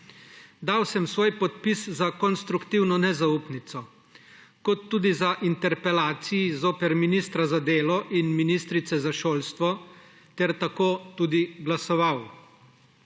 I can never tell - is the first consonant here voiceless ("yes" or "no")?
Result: no